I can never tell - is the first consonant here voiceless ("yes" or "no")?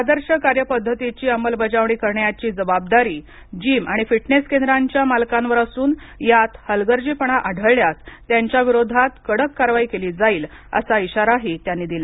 no